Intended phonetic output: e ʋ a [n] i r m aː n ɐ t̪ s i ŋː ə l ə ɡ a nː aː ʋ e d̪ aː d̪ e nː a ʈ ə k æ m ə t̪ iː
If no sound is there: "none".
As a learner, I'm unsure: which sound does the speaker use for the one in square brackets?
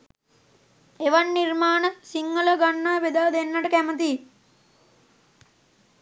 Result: nː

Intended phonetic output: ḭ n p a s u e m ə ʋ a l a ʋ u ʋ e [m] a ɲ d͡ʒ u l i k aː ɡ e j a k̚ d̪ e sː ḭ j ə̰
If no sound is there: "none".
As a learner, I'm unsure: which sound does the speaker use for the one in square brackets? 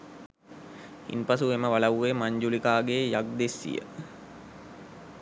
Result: m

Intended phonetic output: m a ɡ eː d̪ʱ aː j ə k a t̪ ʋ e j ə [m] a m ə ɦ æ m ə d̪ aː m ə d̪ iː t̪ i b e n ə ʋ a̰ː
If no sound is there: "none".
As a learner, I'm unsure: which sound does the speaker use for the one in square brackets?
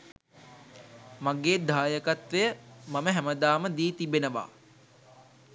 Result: m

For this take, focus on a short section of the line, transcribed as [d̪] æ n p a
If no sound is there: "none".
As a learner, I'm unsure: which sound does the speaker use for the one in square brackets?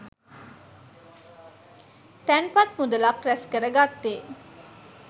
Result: t̪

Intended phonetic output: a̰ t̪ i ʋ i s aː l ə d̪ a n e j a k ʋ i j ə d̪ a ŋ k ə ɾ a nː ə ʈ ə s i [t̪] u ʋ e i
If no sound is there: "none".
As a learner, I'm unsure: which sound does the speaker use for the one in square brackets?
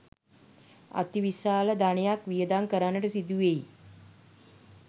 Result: d̪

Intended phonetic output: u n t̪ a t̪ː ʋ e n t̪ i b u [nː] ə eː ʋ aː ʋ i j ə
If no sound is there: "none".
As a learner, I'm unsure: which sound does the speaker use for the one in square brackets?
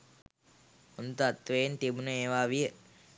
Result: n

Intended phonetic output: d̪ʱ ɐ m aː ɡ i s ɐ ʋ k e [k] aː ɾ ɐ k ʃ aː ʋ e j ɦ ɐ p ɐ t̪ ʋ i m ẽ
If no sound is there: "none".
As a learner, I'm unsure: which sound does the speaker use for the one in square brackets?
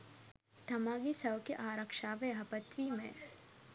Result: ʔ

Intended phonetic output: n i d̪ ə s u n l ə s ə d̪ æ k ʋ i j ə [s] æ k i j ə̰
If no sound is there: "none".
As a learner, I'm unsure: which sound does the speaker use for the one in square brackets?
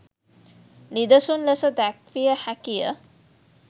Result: h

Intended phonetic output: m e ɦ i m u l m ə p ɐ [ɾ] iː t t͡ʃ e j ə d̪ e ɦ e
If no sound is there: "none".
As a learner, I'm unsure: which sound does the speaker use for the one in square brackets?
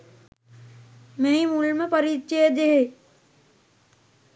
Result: ɾ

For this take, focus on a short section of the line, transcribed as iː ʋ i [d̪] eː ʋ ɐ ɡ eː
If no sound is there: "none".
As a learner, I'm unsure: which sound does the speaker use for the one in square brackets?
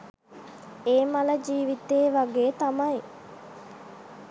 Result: t̪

